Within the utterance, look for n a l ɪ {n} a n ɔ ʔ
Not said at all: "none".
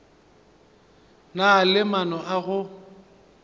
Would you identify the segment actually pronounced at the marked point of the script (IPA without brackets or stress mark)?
m